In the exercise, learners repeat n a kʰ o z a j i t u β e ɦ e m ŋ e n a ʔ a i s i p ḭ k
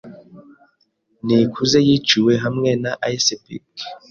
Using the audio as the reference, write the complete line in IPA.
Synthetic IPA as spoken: n i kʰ u z e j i t͡ʃ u w e ɦ a m ŋ e n a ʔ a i s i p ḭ k